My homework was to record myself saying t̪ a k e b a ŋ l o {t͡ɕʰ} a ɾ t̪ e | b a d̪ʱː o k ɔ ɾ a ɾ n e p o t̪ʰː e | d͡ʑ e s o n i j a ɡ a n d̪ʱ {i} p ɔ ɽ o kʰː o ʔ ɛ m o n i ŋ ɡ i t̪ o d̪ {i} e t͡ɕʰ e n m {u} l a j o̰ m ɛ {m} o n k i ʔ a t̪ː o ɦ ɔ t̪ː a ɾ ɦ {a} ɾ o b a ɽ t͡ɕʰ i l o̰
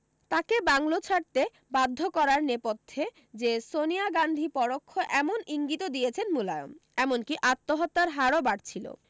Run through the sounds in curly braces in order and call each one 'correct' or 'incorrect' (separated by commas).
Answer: correct, correct, correct, correct, correct, correct